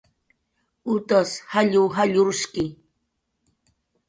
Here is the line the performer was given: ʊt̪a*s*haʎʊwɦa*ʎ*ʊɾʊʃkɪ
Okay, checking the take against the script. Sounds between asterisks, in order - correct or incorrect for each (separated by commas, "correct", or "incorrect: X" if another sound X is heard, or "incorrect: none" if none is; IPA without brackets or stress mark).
correct, correct